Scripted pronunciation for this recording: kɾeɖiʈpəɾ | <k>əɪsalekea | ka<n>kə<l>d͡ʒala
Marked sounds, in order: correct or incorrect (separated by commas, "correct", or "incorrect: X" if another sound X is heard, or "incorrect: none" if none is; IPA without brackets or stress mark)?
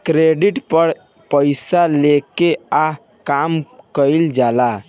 incorrect: p, incorrect: m, correct